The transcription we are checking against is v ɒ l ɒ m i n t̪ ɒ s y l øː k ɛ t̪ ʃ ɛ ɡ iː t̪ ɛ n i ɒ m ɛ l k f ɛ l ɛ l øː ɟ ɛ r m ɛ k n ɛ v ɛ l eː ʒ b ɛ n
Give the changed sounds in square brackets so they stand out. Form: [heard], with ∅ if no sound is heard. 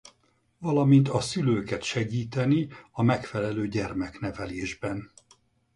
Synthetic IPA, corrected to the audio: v ɒ l ɒ m i n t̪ ɒ s y l øː k ɛ t̪ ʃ ɛ ɡ iː t̪ ɛ n i ɒ m ɛ [∅] k f ɛ l ɛ l øː ɟ ɛ r m ɛ k n ɛ v ɛ l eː ʒ b ɛ n